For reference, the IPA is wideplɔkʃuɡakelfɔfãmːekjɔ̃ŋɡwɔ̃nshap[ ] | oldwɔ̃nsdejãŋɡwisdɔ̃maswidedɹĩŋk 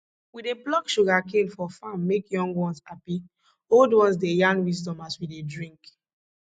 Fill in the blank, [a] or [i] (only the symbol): i